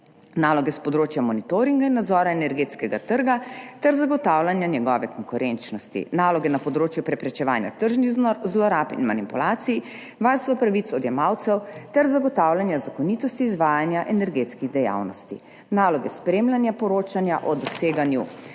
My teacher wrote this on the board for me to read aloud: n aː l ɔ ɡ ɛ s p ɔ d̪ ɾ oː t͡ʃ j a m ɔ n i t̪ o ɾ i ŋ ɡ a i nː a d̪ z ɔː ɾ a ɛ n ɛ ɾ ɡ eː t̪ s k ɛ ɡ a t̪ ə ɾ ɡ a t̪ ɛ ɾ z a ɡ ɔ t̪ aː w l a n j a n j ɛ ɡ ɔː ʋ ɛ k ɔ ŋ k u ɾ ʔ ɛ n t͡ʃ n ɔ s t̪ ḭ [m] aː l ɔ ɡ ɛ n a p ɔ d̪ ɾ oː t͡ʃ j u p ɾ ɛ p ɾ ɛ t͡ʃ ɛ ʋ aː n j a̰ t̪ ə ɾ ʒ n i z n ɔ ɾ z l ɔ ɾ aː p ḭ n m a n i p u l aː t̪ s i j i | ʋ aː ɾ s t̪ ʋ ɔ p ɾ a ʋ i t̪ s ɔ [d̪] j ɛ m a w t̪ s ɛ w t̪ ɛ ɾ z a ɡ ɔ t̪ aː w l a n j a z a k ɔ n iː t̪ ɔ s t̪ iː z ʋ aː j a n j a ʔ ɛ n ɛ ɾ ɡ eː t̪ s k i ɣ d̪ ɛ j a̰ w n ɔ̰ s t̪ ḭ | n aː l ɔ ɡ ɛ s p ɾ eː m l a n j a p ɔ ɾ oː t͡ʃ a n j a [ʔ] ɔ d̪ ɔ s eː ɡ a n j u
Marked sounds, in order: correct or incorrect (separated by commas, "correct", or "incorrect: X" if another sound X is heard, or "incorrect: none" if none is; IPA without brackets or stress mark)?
incorrect: n, correct, correct